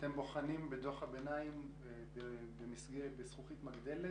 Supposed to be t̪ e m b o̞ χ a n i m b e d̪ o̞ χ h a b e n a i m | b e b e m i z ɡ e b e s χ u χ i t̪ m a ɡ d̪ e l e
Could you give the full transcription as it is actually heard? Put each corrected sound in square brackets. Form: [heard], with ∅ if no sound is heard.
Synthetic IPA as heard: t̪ e m b o̞ χ a n i m b e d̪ o̞ χ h a b e n a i m | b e b e m i [s] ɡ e b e s χ u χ i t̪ m a ɡ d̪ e l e